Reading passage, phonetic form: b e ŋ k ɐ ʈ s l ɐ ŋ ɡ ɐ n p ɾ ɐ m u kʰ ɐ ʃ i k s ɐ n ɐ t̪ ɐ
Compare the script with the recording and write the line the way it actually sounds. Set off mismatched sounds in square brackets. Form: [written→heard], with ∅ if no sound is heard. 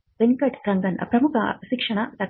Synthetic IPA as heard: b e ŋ k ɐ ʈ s [l→ɾ] ɐ ŋ ɡ ɐ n p ɾ ɐ m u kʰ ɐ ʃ i k [s→ʂ] ɐ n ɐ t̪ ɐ